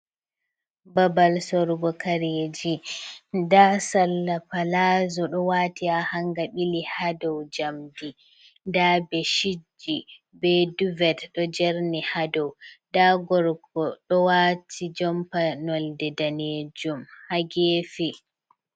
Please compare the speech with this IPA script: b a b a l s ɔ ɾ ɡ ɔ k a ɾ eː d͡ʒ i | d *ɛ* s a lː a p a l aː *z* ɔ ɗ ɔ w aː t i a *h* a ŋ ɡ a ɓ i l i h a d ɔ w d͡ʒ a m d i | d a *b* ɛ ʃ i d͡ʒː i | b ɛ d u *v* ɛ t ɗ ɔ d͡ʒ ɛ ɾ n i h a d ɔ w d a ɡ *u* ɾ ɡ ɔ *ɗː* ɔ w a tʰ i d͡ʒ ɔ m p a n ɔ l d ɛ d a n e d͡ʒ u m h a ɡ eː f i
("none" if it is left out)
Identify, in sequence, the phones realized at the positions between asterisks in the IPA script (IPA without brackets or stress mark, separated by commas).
a, z, h, b, v, ɔ, ɗ